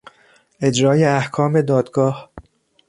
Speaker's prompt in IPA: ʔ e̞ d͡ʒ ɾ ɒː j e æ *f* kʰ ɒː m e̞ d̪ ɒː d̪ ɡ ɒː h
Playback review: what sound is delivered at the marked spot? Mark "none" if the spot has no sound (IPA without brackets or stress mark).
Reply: h